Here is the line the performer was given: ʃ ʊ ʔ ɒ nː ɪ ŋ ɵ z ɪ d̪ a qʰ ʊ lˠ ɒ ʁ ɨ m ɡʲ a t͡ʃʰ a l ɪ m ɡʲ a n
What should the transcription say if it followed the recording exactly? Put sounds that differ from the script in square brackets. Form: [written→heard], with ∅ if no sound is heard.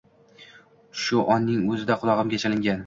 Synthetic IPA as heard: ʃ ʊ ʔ ɒ nː ɪ ŋ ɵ z ɪ d̪ a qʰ ʊ lˠ ɒ ʁ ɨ m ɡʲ a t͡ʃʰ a l ɪ [m→ŋ] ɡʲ a n